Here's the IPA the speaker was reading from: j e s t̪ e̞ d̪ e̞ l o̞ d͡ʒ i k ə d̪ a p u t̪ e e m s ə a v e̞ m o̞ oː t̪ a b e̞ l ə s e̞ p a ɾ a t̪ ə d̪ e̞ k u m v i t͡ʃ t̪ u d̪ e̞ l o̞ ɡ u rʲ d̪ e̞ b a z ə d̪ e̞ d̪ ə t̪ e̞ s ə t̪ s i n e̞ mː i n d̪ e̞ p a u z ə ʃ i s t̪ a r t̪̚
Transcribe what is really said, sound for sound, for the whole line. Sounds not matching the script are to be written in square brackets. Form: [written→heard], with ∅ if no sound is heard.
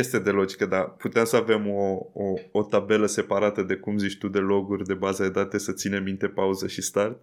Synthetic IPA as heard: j e s t̪ e̞ d̪ e̞ l o̞ d͡ʒ i k ə d̪ a p u t̪ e e m s ə a v e̞ m o̞ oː t̪ a b e̞ l ə s e̞ p a ɾ a t̪ ə d̪ e̞ k u m [v→z] i t͡ʃ t̪ u d̪ e̞ l o̞ ɡ u rʲ d̪ e̞ b a z ə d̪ e̞ d̪ [ə→a] t̪ e̞ s ə t̪ s i n e̞ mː i n [d̪→t̪] e̞ p a u z ə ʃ i s t̪ a r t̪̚